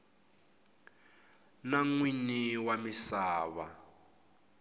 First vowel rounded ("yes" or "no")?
no